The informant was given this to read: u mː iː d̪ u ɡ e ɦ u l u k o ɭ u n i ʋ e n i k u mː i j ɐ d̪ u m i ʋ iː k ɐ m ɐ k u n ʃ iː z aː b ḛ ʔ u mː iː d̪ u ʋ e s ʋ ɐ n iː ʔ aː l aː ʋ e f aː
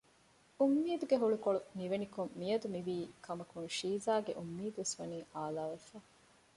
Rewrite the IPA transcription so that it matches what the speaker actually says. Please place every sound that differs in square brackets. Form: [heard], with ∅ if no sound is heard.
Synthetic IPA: u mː iː d̪ u ɡ e ɦ u [ɭ] u k o ɭ u n i ʋ e n i k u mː i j ɐ d̪ u m i ʋ iː k ɐ m ɐ k u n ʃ iː z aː [ɡ] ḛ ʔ u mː iː d̪ u ʋ e s ʋ ɐ n iː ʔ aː l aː ʋ e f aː